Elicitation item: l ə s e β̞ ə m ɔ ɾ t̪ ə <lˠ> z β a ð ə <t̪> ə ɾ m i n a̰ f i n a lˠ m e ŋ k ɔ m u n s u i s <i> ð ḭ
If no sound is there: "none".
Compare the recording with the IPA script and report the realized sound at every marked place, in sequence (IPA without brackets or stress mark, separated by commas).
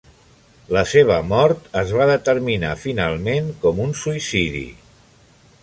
none, t̪, i